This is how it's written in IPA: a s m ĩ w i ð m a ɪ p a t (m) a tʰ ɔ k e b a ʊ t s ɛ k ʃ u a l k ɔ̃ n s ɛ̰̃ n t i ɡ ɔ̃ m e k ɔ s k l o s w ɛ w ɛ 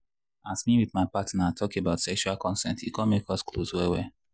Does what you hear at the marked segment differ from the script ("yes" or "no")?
yes